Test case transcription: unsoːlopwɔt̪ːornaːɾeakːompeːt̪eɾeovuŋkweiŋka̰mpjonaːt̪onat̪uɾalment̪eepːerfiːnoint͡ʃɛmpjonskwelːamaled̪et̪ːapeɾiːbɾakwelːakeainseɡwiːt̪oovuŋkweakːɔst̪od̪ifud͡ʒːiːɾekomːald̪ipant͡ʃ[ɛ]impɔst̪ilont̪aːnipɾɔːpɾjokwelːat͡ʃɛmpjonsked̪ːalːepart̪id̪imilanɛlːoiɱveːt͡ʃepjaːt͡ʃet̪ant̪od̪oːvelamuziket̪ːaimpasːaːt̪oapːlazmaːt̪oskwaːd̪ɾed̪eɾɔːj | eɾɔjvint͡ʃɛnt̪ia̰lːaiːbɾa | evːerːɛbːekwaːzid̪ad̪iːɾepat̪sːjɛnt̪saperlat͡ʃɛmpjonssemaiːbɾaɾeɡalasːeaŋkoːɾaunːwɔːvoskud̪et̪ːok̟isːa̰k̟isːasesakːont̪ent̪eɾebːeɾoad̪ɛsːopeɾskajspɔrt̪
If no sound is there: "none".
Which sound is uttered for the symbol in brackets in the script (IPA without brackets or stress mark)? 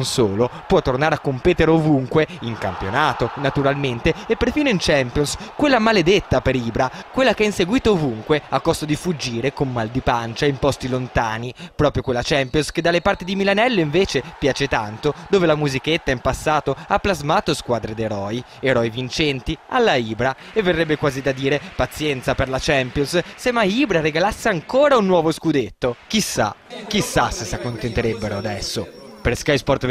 a